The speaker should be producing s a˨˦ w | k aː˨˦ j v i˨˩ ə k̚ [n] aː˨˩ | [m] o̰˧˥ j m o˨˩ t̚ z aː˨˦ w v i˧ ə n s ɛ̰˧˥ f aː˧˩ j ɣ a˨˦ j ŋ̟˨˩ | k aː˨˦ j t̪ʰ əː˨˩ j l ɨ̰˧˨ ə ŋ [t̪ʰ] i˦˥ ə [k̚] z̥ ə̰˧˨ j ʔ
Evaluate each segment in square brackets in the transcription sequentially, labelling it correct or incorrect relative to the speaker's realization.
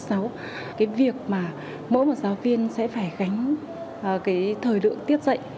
incorrect: m, correct, incorrect: t̪, incorrect: t̚

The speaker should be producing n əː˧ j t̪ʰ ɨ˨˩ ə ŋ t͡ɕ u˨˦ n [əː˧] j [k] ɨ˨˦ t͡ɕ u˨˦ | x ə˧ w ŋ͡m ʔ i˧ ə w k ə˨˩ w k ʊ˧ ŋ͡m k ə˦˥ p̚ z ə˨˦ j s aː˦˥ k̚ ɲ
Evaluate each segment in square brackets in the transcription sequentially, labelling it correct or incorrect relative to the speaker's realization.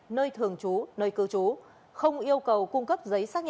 correct, correct

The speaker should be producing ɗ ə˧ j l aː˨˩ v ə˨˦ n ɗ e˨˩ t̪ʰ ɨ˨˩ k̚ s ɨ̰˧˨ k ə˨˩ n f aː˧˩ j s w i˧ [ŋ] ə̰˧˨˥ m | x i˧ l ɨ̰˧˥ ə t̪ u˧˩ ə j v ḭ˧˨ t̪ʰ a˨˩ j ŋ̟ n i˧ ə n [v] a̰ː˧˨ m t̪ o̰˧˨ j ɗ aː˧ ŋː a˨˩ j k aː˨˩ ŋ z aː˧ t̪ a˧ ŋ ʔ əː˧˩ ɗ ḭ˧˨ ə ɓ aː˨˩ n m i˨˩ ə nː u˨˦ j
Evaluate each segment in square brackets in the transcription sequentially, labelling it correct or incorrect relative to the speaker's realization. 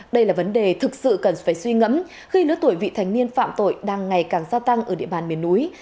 correct, incorrect: f

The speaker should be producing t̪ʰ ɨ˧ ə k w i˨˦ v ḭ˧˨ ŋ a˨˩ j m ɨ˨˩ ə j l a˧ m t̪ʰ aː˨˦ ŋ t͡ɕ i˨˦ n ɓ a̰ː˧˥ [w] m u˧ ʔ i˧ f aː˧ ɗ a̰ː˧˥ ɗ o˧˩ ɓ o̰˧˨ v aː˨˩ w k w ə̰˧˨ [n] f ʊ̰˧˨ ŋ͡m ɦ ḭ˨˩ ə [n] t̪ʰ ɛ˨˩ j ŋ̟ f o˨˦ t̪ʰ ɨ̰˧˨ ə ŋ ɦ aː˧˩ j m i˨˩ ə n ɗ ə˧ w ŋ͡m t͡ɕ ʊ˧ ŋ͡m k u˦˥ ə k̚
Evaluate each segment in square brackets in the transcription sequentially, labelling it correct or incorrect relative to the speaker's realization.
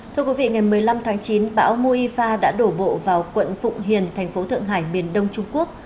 correct, correct, correct

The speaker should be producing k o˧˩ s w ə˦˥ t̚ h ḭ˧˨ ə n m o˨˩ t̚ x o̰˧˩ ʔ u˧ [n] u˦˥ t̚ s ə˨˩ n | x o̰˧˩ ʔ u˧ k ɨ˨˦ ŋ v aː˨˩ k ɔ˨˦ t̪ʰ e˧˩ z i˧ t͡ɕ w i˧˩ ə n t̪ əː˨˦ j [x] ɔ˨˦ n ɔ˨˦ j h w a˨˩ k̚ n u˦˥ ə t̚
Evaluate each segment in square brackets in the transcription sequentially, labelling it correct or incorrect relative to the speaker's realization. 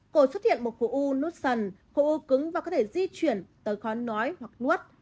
correct, correct

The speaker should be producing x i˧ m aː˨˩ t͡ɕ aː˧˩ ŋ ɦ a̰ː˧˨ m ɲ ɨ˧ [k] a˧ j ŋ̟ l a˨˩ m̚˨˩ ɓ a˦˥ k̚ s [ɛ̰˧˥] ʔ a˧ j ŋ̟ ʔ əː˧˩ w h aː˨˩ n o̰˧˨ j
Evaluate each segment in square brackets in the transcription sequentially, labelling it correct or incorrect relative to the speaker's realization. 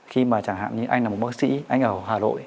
incorrect: ʔ, incorrect: ḭ˧˥

